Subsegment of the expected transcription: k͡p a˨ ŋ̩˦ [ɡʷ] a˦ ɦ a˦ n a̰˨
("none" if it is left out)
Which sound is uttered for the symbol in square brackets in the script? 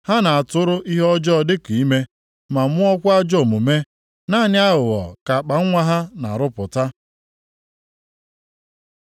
ŋʷ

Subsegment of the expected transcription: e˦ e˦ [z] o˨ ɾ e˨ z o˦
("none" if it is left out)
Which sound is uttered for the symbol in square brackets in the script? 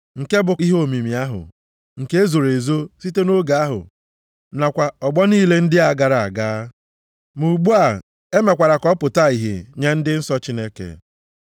z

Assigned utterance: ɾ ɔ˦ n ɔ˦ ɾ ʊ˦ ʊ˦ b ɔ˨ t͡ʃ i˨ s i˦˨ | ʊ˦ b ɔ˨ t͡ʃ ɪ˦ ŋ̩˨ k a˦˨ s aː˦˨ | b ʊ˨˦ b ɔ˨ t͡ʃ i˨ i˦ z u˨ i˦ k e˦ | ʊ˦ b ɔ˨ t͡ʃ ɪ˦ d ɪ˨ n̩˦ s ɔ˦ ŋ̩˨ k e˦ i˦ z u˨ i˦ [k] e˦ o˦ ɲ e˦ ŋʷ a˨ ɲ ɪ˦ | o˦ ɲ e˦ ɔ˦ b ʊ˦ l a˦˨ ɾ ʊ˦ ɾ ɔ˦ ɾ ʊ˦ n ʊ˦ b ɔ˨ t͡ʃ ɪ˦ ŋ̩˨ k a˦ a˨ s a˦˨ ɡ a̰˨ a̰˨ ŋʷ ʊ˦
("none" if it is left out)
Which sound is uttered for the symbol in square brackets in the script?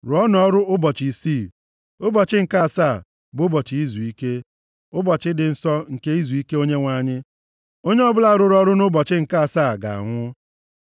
k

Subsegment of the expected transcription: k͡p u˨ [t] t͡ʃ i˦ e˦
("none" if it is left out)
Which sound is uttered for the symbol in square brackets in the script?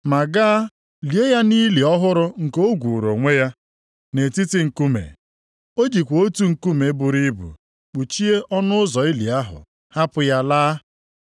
none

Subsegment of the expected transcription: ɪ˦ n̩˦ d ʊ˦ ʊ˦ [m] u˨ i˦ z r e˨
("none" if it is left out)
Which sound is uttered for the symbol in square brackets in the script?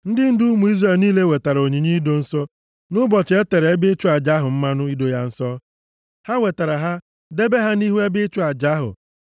m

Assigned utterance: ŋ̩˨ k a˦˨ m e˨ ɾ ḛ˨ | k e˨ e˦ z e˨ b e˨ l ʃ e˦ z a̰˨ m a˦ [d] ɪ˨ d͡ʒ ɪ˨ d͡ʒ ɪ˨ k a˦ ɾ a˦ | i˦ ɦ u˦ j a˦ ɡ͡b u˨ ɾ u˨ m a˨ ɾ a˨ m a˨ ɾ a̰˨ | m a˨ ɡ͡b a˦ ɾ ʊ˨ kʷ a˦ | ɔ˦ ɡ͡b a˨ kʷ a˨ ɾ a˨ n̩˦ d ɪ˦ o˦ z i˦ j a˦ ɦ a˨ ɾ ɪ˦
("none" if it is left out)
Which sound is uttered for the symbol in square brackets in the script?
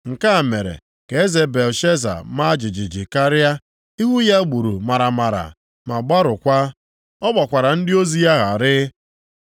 d͡ʒ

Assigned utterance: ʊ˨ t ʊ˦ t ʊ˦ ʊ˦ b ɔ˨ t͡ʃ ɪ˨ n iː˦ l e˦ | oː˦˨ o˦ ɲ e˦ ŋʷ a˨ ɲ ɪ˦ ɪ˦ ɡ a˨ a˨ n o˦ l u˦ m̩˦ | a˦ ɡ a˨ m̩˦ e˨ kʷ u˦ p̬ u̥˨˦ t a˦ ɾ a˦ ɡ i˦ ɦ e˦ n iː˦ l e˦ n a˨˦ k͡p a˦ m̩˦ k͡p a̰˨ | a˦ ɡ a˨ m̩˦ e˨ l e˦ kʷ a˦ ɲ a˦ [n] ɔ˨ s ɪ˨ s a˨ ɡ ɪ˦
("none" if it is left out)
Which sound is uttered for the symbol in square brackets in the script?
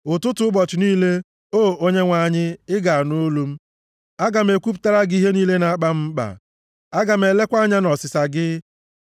n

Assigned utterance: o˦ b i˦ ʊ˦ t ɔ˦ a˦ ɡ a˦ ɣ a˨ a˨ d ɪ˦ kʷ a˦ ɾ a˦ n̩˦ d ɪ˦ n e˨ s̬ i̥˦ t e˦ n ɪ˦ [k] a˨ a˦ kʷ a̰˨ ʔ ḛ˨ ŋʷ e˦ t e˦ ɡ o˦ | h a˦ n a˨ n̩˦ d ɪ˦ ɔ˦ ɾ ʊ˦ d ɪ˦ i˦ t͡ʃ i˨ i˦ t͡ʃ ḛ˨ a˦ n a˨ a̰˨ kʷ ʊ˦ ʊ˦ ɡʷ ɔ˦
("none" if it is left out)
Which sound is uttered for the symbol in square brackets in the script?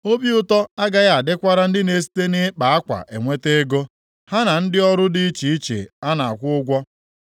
k͡p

